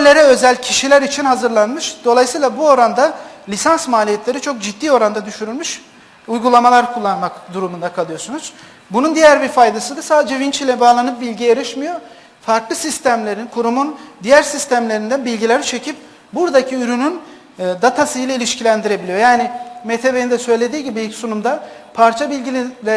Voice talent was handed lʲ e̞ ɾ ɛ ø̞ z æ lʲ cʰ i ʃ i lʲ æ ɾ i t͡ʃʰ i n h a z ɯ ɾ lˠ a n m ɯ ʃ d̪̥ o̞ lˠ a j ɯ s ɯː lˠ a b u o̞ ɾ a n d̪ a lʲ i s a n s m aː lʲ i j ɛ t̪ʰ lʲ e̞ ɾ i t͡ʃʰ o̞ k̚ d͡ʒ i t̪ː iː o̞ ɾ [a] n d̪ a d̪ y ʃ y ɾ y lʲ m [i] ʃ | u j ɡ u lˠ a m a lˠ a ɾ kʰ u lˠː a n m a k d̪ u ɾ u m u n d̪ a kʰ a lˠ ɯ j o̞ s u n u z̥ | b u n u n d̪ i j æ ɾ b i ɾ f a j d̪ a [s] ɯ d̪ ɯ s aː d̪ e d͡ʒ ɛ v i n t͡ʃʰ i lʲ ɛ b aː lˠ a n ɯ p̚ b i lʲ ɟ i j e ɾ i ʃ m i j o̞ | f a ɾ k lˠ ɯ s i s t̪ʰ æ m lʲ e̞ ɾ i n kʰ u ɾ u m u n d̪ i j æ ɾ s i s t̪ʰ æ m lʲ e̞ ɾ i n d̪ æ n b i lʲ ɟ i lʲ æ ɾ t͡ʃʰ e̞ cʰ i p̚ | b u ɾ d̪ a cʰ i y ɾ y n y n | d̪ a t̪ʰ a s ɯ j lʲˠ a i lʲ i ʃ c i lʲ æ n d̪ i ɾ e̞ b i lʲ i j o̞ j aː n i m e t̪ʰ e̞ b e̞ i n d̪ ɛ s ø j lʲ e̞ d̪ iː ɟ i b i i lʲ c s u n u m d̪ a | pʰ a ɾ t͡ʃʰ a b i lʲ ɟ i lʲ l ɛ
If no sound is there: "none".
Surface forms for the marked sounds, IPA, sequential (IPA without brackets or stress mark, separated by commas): a, y, s